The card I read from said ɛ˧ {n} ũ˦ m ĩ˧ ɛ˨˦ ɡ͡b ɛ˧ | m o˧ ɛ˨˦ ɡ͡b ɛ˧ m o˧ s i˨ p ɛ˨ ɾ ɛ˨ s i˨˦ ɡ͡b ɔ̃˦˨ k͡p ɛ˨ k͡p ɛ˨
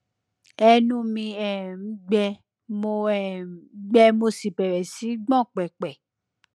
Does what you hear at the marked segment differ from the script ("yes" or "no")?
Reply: no